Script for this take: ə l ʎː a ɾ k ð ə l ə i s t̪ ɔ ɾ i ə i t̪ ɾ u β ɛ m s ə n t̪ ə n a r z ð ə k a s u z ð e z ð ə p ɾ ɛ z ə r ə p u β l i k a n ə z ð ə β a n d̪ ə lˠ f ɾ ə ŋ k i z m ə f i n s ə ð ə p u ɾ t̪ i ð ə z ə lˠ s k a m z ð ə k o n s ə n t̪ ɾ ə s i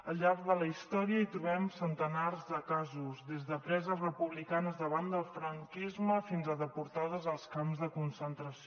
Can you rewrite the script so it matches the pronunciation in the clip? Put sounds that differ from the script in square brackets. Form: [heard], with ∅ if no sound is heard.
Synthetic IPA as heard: ə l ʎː a ɾ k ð ə l ə i s t̪ ɔ ɾ i ə i t̪ ɾ u β ɛ m s ə n t̪ ə n a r z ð ə k a [z] u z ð e z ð ə p ɾ ɛ z ə r ə p u β l i k a n ə z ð ə β a n d̪ ə lˠ f ɾ ə ŋ k i z m ə f i n [z] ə ð ə p u ɾ t̪ [a] ð ə z ə lˠ s k a m z ð ə k [u] n s ə n t̪ ɾ ə s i